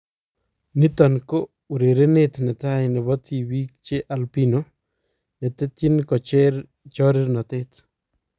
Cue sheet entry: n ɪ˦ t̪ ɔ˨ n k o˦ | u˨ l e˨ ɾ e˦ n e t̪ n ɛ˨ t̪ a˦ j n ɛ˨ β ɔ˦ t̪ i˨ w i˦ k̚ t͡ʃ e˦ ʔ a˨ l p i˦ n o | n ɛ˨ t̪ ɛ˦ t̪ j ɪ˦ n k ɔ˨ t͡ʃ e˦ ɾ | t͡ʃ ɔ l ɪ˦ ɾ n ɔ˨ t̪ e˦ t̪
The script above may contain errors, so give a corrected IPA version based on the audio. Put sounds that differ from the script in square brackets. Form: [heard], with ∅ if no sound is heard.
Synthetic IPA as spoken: n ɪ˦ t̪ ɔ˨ n k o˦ | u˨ [ɾ] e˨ ɾ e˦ n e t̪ n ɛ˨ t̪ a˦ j n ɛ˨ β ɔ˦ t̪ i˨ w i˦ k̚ t͡ʃ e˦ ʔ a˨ l p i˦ n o | n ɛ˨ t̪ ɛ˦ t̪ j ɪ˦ n k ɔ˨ t͡ʃ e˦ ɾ | t͡ʃ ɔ [ɾ] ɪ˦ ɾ n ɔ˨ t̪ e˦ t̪